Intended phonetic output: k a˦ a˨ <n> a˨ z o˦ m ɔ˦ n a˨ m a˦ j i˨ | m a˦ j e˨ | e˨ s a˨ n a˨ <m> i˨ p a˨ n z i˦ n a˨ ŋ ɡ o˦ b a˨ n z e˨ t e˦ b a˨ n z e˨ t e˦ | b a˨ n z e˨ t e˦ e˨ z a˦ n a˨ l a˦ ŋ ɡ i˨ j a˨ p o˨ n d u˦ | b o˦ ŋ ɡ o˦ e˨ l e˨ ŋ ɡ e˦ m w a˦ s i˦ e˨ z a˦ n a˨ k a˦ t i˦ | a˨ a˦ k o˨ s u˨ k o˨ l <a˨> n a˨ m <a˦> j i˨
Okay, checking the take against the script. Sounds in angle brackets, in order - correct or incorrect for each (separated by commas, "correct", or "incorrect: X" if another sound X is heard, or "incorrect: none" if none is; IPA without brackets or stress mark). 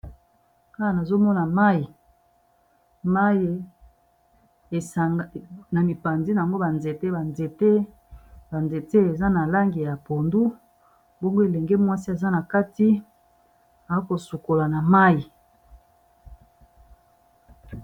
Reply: correct, correct, correct, correct